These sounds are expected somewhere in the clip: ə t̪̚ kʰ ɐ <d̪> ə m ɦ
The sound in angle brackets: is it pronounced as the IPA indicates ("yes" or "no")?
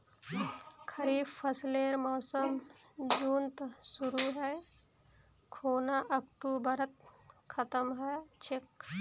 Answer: no